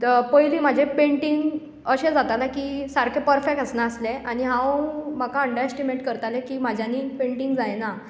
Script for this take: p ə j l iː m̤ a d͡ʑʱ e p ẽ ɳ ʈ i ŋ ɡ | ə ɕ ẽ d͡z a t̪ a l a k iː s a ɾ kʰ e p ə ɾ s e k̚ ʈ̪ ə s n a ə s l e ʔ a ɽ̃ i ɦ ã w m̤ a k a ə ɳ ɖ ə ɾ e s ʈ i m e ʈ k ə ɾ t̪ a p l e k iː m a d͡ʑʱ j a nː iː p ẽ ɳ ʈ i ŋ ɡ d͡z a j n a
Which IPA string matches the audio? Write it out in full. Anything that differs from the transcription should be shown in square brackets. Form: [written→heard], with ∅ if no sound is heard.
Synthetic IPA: p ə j l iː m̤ a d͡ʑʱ e p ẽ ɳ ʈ i ŋ ɡ | ə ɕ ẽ d͡z a t̪ a l a k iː s a ɾ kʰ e p ə ɾ [s→f] e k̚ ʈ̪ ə s n a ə s l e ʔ a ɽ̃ i ɦ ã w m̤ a k a ə ɳ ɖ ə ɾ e s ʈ i m e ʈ k ə ɾ t̪ a [p→∅] l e k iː m a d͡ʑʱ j a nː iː p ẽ ɳ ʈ i ŋ ɡ d͡z a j n a